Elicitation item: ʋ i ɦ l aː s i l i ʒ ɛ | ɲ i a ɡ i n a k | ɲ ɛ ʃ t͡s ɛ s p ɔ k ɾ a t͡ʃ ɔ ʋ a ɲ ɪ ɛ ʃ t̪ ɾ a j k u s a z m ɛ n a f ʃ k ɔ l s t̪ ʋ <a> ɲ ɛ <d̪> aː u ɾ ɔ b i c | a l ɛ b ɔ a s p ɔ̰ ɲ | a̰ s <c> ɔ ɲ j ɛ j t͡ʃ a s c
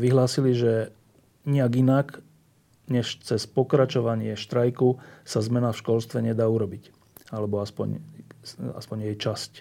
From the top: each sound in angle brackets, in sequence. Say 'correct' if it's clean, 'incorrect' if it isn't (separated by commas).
incorrect, correct, incorrect